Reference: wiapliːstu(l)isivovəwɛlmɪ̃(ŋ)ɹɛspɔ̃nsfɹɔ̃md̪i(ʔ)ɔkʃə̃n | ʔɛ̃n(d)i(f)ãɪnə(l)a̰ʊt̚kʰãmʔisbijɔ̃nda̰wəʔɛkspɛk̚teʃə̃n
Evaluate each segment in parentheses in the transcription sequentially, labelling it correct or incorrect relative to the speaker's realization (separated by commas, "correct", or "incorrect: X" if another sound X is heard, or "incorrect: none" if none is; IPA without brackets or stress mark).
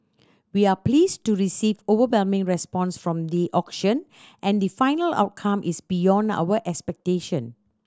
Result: incorrect: ɹ, correct, correct, correct, correct, correct